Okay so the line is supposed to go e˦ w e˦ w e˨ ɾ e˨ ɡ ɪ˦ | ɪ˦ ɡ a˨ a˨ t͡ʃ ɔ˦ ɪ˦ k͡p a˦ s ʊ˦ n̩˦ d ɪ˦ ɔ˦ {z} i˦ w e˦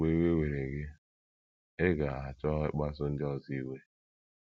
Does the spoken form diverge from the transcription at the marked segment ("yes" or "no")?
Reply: no